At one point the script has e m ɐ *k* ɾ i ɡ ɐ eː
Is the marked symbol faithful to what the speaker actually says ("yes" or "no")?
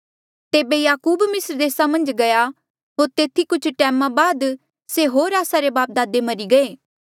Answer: no